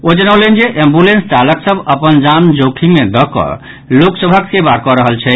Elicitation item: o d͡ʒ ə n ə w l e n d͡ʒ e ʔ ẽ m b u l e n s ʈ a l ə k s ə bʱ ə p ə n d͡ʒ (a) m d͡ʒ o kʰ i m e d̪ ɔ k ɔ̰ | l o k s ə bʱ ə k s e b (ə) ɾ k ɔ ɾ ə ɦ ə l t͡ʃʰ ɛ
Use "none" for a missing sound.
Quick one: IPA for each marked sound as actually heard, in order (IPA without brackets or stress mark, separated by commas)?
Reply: a, a